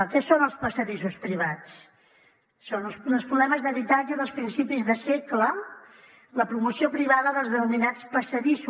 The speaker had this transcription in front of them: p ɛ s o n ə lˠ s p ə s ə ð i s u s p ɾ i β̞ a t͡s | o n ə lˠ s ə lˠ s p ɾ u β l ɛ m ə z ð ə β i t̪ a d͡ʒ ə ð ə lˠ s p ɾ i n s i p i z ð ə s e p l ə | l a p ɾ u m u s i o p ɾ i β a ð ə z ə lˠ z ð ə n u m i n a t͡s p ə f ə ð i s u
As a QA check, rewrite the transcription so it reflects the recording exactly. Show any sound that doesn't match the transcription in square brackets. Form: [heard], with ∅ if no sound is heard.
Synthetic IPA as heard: [k] ɛ s o n ə lˠ s p ə s ə ð i s u s p ɾ i β̞ a t͡s | o n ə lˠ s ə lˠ s p ɾ u β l ɛ m ə z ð ə β i t̪ a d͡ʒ ə ð ə lˠ s p ɾ i n s i p i z ð ə s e [k] l ə | l [ə] p ɾ u m u s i o p ɾ i β a ð ə [ð] ə lˠ z ð ə n u m i n a t͡s p ə [s] ə ð i s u